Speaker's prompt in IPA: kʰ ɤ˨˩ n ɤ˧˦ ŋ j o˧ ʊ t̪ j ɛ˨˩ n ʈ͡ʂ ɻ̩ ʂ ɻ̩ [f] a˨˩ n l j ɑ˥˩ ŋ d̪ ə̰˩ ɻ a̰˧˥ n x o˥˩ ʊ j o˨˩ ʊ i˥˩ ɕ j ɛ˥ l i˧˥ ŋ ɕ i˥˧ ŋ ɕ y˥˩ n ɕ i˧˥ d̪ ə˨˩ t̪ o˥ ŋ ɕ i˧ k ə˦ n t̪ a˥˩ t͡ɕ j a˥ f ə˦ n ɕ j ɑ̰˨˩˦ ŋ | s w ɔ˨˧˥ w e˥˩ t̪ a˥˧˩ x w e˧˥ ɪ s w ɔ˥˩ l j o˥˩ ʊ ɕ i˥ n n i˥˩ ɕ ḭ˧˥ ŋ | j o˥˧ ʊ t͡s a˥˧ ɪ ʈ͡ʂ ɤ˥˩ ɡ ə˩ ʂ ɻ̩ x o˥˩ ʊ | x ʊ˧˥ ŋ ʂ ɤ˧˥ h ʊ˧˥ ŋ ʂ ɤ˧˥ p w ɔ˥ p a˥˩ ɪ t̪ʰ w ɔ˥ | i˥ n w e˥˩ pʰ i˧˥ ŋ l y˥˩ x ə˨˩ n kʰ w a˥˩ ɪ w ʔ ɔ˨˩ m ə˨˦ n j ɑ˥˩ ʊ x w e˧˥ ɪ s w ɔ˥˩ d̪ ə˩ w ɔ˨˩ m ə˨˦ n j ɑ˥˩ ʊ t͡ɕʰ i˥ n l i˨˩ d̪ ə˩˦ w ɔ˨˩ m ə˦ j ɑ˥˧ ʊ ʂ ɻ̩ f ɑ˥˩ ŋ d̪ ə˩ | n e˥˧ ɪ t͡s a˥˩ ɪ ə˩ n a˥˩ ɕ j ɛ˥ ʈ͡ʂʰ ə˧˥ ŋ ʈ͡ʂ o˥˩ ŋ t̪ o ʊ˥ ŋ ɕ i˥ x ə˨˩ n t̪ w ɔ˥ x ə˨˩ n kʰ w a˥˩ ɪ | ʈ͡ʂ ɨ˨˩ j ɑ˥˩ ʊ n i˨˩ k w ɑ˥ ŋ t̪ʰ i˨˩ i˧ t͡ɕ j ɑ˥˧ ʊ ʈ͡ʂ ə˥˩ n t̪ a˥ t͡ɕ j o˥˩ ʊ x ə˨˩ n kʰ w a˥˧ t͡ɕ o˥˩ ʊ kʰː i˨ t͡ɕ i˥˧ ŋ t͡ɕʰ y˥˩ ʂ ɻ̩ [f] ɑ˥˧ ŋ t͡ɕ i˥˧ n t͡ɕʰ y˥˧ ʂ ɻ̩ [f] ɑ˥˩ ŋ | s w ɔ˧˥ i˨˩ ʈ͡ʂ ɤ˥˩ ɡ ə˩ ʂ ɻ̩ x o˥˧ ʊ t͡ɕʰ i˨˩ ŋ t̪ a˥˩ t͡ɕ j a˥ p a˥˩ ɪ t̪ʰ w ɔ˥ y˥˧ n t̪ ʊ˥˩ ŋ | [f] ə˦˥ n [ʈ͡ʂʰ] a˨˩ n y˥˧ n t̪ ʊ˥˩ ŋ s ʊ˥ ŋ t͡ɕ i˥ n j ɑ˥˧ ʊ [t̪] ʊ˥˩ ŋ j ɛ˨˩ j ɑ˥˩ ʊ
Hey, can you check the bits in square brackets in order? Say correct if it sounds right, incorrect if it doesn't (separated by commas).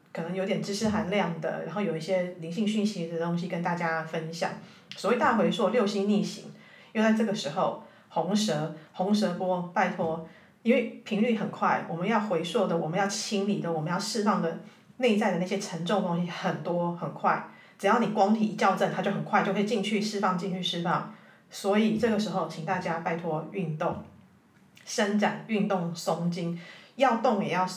incorrect, correct, correct, incorrect, incorrect, correct